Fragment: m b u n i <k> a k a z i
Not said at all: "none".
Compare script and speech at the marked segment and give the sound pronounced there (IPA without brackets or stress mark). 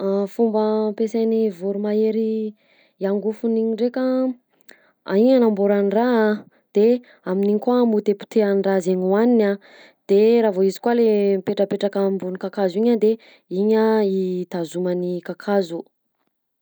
k